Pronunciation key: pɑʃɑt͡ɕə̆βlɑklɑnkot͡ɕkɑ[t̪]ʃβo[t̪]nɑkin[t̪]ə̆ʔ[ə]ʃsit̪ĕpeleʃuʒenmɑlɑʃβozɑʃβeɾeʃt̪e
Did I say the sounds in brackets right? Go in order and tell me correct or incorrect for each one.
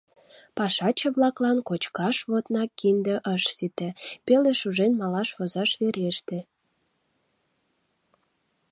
incorrect: none, correct, incorrect: d̪, correct

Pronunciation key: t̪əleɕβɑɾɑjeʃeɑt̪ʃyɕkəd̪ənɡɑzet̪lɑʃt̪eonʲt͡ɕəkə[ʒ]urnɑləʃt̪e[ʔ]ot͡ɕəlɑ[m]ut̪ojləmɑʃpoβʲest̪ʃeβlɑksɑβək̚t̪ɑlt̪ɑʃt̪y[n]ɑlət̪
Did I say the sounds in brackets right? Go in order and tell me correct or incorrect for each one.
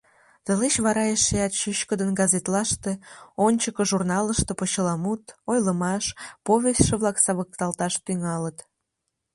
correct, incorrect: p, correct, incorrect: ŋ

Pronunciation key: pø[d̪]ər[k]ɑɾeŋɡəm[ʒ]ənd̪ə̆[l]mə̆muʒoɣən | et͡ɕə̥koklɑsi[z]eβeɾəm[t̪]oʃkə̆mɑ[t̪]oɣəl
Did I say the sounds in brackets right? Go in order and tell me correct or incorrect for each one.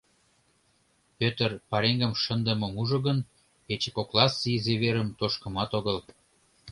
incorrect: t̪, incorrect: p, incorrect: ʃ, incorrect: none, correct, correct, correct

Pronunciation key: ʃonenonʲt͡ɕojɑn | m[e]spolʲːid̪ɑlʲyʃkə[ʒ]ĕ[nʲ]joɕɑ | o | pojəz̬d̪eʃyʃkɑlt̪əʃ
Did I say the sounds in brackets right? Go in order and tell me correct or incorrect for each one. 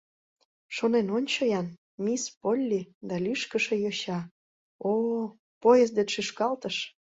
incorrect: i, incorrect: ʃ, incorrect: none

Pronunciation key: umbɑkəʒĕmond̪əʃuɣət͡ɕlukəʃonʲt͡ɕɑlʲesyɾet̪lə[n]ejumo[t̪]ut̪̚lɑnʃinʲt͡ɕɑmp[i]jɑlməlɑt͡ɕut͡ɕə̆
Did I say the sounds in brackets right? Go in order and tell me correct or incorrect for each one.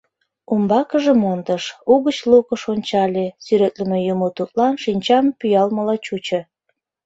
incorrect: m, correct, incorrect: y

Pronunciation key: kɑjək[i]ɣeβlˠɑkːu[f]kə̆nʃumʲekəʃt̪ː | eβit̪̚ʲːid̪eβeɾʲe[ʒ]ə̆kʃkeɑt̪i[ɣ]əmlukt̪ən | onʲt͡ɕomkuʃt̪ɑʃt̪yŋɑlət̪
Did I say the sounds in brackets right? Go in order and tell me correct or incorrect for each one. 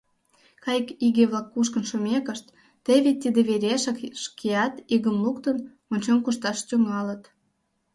correct, incorrect: ʃ, incorrect: ʃ, correct

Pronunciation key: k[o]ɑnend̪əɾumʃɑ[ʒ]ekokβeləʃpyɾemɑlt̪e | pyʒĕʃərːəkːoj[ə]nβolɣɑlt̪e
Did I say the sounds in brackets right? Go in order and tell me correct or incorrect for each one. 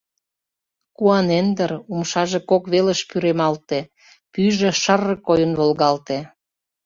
incorrect: u, correct, correct

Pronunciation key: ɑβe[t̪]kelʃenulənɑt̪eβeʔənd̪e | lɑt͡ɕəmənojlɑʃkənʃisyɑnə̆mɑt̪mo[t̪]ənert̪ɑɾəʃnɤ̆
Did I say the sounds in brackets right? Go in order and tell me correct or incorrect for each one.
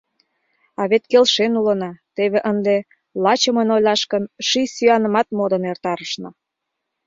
correct, incorrect: d̪

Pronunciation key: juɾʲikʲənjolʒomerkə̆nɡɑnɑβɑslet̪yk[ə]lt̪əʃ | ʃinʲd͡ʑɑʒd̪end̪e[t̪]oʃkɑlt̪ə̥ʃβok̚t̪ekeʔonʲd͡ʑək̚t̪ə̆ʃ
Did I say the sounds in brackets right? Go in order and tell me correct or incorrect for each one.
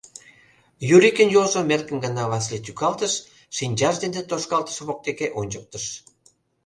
incorrect: ɑ, correct

